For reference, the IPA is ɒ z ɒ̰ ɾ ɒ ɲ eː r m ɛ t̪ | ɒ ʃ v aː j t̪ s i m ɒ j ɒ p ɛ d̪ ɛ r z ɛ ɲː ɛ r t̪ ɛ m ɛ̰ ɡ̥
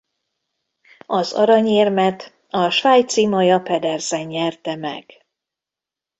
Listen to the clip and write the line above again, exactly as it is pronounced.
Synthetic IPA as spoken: ɒ z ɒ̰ ɾ ɒ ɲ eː r m ɛ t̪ | ɒ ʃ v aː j t̪ s i m ɒ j ɒ p ɛ d̪ ɛ r z ɛ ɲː ɛ r t̪ ɛ m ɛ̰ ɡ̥